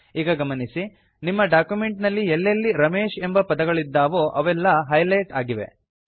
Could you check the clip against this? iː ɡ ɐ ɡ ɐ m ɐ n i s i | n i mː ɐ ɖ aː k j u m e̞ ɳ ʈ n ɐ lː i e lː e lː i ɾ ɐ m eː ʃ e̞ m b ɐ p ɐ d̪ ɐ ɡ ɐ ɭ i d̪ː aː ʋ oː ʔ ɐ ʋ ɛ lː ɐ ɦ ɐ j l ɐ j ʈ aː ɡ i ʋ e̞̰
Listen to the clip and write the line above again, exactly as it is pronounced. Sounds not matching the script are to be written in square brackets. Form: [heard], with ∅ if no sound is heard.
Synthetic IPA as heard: iː ɡ ɐ ɡ ɐ m ɐ n i s i | n i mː ɐ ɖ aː k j u m e̞ ɳ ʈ n ɐ lː i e lː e lː i ɾ ɐ m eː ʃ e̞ m b ɐ p ɐ d̪ ɐ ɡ ɐ ɭ i d̪ː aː ʋ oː ʔ ɐ ʋ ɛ lː ɐ ɦ ɐ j l ɐ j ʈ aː ɡ i ʋ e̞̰